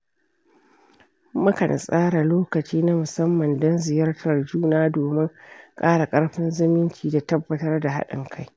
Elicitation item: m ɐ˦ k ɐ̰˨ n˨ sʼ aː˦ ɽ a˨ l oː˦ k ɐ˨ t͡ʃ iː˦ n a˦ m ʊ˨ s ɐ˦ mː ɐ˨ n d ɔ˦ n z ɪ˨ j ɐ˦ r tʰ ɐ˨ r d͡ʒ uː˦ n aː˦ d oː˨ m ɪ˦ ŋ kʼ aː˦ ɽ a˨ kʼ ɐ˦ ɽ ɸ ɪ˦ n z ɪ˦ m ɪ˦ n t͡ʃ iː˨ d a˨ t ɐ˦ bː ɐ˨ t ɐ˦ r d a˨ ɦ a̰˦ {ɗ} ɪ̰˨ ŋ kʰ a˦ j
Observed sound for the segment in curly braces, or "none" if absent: ɗ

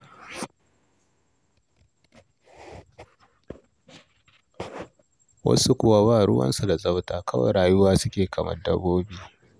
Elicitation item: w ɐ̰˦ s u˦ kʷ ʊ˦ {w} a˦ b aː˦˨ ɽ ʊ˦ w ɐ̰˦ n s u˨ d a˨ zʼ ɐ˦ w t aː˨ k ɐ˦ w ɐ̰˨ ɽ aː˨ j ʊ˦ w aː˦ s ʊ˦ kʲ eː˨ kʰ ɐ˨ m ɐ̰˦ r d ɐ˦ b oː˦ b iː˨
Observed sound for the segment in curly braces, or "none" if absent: w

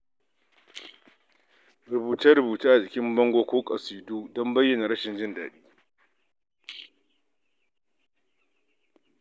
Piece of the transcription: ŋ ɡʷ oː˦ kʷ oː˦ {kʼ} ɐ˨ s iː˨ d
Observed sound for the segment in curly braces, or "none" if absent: kʼ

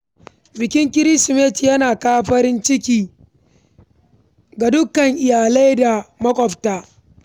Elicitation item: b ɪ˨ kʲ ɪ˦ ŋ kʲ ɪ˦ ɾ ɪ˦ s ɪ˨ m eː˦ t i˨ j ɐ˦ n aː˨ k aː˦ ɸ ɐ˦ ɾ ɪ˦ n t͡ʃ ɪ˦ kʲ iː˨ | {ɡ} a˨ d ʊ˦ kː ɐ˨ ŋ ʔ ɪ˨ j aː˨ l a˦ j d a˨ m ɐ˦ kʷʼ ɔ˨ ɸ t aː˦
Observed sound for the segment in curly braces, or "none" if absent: ɡ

